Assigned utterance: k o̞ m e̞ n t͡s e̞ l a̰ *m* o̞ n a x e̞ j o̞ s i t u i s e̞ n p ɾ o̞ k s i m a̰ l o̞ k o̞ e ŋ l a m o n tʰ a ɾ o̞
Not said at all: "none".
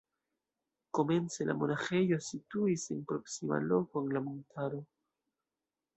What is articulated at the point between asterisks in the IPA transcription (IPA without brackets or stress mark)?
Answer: m